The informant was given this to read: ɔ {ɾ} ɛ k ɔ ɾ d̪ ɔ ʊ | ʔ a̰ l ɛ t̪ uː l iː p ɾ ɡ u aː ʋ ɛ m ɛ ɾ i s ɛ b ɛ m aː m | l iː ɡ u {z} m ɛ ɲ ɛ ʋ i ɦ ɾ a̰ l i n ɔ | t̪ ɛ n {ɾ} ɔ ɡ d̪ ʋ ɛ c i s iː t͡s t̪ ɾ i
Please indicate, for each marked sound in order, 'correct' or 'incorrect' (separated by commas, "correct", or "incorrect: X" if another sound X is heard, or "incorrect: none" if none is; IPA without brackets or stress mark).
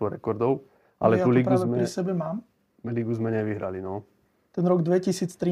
correct, correct, correct